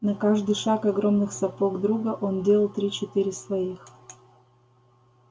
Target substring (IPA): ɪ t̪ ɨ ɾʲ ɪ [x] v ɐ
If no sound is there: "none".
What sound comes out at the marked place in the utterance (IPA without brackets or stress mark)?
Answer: s